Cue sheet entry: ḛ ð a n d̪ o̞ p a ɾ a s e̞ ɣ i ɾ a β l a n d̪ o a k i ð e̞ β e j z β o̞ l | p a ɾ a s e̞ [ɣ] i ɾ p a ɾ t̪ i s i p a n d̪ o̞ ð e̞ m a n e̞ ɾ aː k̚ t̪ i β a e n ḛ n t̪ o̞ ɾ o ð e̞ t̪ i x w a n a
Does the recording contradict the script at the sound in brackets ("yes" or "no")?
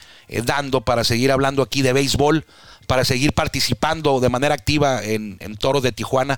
no